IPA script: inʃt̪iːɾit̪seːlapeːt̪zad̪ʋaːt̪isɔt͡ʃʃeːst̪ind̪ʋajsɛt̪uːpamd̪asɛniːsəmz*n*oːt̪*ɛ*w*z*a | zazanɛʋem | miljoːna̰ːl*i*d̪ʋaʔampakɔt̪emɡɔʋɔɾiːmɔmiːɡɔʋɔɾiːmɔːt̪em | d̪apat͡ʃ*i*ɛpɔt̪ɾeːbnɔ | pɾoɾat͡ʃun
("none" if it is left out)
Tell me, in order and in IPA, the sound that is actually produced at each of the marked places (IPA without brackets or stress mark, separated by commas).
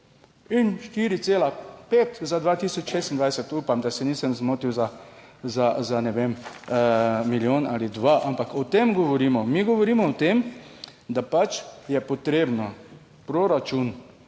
m, i, z, i, j